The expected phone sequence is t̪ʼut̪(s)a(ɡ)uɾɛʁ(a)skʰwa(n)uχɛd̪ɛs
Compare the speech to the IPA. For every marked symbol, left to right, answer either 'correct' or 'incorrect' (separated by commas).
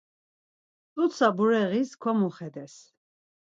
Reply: correct, incorrect, incorrect, incorrect